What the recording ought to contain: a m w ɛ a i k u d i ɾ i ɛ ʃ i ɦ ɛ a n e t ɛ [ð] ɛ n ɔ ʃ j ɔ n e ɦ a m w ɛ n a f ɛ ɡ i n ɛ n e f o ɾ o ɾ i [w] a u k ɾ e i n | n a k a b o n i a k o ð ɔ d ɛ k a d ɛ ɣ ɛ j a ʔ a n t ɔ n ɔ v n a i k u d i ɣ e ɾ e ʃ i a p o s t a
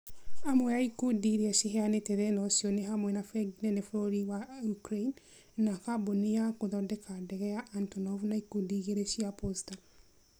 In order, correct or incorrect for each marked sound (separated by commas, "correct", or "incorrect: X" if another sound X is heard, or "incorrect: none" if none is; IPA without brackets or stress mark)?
correct, correct